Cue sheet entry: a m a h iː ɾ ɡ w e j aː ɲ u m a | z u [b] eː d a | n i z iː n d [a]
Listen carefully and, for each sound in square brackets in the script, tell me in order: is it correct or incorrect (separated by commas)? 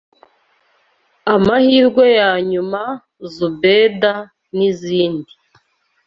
correct, incorrect